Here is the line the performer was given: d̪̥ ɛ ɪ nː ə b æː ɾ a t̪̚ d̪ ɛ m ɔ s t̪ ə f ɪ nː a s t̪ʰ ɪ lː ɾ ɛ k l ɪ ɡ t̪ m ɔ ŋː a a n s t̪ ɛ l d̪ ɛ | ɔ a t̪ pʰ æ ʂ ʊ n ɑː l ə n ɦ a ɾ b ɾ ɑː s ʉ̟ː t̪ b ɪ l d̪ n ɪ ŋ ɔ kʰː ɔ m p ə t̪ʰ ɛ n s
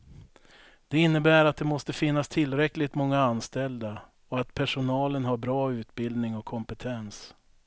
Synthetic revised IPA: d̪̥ ɛ ɪ nː ə b æː ɾ a t̪̚ d̪ ɛ m ɔ s t̪ ə f ɪ nː a s t̪ʰ ɪ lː ɾ ɛ k l ɪ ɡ t̪ m ɔ ŋː a a n s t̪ ɛ l d̪ a | ɔ a t̪ pʰ æ ʂ ʊ n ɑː l ə n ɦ a ɾ b ɾ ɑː ʉ̟ː t̪ b ɪ l d̪ n ɪ ŋ ɔ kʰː ɔ m p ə t̪ʰ ɛ n s